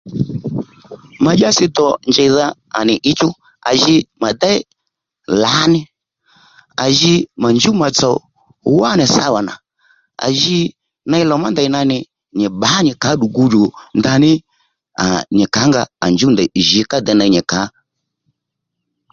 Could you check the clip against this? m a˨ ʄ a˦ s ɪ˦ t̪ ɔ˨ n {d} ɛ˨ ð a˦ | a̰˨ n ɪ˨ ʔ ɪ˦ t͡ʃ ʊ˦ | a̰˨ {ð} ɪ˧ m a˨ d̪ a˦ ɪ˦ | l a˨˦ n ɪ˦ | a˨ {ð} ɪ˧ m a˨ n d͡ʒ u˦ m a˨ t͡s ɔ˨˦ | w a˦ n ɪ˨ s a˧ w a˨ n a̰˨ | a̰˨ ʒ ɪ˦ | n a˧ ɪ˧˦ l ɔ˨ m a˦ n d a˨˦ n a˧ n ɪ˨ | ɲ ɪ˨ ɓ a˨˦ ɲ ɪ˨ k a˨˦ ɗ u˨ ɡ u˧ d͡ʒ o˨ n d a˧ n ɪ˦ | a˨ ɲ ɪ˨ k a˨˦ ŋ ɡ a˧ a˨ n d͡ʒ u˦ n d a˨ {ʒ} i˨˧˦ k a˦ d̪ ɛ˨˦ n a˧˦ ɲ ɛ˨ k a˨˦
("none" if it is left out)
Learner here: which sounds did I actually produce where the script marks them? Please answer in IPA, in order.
d͡ʒ, ʒ, ʒ, ʒ

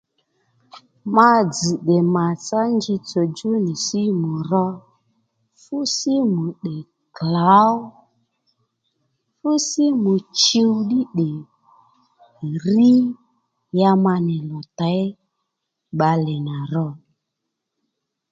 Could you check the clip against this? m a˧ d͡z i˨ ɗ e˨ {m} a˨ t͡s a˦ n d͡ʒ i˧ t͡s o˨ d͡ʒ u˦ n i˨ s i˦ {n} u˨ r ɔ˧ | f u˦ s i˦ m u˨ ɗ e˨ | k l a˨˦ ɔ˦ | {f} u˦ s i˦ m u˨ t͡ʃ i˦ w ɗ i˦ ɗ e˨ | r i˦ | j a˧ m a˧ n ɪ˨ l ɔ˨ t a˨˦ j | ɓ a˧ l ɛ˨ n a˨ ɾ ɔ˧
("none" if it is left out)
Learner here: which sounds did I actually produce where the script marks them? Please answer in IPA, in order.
m, m, f

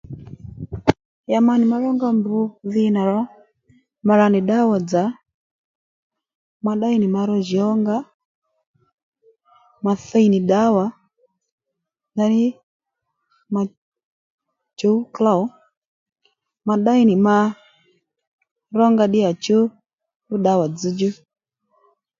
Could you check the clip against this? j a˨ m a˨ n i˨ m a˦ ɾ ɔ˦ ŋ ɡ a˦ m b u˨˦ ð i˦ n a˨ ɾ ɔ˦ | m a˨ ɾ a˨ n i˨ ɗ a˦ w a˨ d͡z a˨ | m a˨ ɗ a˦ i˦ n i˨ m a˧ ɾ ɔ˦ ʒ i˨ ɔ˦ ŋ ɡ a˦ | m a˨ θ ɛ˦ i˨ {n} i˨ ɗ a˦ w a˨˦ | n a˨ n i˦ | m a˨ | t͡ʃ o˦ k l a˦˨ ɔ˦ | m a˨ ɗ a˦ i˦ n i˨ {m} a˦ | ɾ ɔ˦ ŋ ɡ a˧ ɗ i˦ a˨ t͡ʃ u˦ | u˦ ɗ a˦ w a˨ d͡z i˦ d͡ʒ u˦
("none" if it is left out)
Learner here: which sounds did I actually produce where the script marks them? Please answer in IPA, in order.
n, m

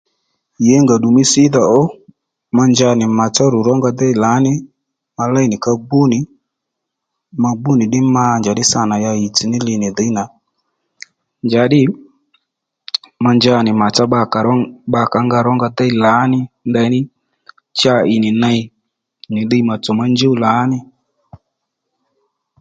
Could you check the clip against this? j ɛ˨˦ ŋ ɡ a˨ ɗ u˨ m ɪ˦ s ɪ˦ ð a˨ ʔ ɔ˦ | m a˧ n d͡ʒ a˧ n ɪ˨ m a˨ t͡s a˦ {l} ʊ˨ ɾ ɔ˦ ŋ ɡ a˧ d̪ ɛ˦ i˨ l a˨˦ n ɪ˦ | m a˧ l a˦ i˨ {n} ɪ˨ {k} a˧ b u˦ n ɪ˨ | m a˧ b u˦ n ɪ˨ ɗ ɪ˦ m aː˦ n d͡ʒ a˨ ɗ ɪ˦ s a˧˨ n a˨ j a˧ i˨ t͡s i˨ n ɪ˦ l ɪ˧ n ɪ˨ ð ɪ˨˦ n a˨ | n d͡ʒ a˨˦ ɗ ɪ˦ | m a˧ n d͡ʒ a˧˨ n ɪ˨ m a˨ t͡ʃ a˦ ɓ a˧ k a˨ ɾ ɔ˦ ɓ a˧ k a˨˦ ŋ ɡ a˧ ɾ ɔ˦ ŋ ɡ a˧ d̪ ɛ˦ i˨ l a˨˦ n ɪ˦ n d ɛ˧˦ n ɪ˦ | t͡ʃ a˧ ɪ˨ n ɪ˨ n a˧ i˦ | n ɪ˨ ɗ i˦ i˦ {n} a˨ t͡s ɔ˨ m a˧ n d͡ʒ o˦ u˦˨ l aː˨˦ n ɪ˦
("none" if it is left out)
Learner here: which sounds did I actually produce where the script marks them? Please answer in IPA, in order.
ɾ, n, k, m

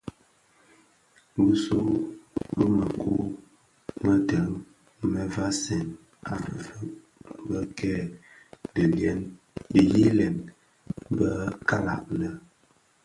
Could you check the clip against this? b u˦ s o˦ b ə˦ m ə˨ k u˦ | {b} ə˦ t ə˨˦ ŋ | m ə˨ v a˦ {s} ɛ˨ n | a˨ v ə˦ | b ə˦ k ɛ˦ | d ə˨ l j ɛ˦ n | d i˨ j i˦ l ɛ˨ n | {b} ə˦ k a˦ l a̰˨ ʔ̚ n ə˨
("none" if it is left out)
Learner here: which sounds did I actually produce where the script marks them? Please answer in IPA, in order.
m, s, b

